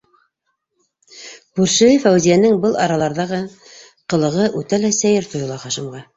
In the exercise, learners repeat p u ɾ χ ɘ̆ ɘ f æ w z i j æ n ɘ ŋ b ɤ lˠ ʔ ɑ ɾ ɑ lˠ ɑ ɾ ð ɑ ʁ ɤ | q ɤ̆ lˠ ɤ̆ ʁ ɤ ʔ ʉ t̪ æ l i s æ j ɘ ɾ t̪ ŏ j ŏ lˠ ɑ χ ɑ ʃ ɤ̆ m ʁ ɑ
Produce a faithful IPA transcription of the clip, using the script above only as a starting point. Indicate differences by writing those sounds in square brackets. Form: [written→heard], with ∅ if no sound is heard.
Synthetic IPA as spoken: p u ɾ [χ→ʃ] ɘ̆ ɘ f æ w z i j æ n ɘ ŋ b ɤ lˠ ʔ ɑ ɾ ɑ lˠ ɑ ɾ ð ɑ ʁ ɤ | q ɤ̆ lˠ ɤ̆ ʁ ɤ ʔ ʉ t̪ æ l [i→æ] s æ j ɘ ɾ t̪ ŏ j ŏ lˠ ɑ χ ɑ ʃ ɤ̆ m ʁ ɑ